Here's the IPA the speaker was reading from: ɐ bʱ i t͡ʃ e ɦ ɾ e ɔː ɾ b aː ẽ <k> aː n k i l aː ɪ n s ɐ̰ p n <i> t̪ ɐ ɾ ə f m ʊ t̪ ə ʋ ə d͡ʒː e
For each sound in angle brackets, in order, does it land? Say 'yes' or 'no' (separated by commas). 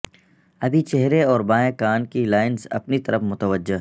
yes, yes